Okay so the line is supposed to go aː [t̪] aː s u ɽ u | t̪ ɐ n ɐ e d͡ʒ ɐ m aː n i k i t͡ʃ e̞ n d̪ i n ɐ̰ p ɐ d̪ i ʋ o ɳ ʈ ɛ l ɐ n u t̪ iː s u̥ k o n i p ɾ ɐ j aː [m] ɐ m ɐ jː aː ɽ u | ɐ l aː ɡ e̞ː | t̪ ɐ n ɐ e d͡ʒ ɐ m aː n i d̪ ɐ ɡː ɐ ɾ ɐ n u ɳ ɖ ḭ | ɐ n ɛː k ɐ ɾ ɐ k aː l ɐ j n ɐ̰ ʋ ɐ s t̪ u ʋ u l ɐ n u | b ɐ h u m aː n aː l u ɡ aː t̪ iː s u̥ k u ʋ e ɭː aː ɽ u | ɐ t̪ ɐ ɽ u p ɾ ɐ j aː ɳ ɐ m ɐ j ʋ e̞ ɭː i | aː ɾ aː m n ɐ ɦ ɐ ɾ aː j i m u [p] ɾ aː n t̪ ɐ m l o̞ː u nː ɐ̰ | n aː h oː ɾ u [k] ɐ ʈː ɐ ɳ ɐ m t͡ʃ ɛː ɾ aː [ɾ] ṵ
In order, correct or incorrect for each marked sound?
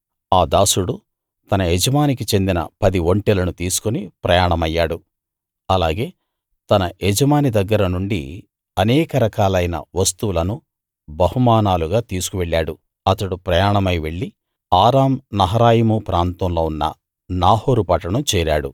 incorrect: d̪, incorrect: ɳ, correct, incorrect: p, incorrect: ɽ

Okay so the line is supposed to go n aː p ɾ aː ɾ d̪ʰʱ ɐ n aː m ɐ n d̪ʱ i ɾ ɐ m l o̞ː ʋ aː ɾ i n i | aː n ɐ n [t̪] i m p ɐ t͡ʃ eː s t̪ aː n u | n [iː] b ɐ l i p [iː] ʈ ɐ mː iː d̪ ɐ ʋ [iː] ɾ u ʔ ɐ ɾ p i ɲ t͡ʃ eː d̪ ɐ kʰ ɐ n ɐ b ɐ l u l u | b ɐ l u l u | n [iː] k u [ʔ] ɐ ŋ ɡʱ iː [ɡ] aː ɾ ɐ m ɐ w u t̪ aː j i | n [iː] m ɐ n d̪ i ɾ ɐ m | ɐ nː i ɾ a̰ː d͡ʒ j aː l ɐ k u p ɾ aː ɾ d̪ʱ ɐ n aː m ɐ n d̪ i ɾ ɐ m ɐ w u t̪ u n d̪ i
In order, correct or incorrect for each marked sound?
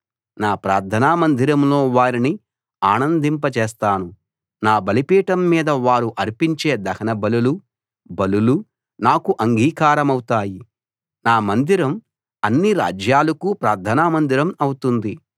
incorrect: d̪, incorrect: aː, correct, incorrect: aː, incorrect: aː, correct, incorrect: k, incorrect: aː

